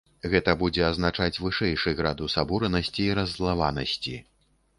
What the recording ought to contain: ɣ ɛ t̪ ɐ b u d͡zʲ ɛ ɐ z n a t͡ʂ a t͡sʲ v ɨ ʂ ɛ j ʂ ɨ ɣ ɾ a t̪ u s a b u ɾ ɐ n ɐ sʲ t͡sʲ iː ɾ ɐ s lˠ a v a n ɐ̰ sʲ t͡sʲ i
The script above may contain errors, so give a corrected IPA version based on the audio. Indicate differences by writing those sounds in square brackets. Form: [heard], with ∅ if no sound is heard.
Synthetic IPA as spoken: ɣ ɛ t̪ ɐ b u d͡zʲ ɛ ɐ z n a t͡ʂ a t͡sʲ v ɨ ʂ ɛ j ʂ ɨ ɣ ɾ a [d̪] u s a b u ɾ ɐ n ɐ sʲ t͡sʲ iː ɾ ɐ [z] lˠ a v a n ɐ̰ sʲ t͡sʲ i